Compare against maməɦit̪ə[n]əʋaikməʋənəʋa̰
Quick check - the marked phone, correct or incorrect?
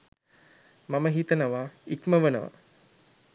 correct